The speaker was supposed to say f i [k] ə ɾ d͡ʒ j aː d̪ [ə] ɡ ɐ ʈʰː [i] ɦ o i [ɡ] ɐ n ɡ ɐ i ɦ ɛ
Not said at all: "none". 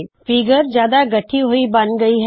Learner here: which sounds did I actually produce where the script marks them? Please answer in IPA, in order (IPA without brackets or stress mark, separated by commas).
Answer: ɡ, a, i, b